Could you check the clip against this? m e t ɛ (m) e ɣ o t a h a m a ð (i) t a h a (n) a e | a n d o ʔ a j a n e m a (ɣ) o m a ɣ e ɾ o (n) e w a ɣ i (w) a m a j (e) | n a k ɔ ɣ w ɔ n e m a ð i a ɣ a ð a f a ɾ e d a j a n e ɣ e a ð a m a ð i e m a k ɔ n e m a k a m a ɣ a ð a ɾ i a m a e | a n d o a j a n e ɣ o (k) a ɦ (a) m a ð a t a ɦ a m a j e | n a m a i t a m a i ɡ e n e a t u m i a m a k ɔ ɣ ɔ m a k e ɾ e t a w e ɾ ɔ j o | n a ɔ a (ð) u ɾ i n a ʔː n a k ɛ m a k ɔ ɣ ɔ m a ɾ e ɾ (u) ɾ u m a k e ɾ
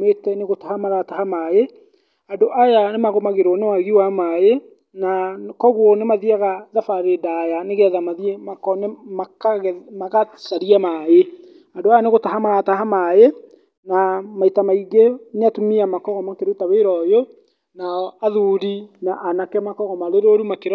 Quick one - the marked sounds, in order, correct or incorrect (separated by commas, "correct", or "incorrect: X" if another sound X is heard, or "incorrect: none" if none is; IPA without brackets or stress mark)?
incorrect: n, incorrect: a, incorrect: m, correct, correct, correct, correct, incorrect: t, correct, correct, incorrect: o